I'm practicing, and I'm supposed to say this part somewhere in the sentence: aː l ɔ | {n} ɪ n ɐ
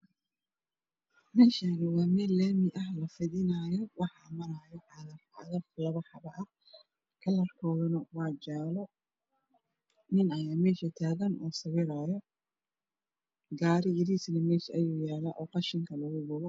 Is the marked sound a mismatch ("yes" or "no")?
no